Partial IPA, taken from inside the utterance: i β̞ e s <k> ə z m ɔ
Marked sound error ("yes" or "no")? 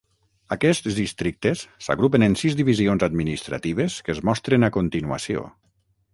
no